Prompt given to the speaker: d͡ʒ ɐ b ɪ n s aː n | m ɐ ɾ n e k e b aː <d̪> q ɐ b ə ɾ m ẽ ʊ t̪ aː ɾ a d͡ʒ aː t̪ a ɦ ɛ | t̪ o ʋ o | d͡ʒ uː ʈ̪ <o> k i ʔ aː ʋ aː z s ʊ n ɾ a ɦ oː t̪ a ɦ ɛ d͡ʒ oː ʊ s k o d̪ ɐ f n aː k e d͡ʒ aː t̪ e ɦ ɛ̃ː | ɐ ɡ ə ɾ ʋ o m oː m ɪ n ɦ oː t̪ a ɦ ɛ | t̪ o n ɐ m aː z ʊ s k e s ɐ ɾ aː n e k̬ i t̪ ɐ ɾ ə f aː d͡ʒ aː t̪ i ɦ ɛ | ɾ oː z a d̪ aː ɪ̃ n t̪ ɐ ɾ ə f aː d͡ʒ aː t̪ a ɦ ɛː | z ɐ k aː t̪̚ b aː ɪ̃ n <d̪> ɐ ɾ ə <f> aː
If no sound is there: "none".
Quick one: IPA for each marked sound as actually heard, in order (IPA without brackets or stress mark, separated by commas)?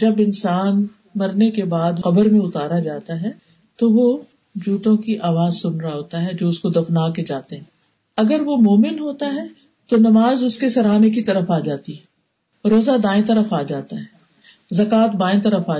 d̪, õ, t̪, f